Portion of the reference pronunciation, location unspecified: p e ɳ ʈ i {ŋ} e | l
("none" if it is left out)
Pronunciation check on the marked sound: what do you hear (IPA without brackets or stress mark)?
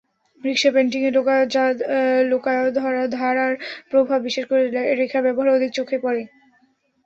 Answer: ŋ